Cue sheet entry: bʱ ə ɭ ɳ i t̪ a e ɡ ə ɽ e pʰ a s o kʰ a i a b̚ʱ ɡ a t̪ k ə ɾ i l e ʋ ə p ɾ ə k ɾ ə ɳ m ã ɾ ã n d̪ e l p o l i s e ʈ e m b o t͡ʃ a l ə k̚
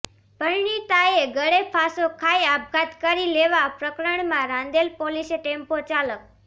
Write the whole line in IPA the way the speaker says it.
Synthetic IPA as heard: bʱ ə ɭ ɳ i t̪ a e ɡ ə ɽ e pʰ a s o kʰ a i a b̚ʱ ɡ a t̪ k ə ɾ i l e ʋ a p ɾ ə k ɾ ə ɳ m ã ɾ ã n d̪ e l p o l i s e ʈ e m p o t͡ʃ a l ə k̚